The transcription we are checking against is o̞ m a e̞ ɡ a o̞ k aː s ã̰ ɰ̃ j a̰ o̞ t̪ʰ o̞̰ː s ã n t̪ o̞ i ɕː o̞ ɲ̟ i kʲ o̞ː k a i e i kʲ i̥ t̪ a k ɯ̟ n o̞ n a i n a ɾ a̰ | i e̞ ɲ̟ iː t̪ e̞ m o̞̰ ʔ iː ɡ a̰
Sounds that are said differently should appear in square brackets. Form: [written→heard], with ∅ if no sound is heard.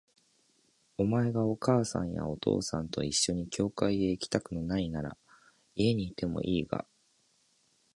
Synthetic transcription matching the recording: o̞ m a e̞ ɡ a o̞ k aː s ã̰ ɰ̃ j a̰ o̞ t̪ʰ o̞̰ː s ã n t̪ o̞ i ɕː o̞ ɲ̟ i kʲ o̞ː k a i e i kʲ i̥ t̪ a k ɯ̟ n o̞ n a i n a ɾ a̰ | i e̞ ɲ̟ iː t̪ e̞ m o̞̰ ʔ iː ɡ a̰